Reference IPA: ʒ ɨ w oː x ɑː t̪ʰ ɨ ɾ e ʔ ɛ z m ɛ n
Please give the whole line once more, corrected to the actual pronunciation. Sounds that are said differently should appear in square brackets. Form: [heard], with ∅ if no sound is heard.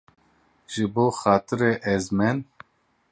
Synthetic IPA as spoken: ʒ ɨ [b] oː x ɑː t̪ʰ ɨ ɾ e ʔ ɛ z m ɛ n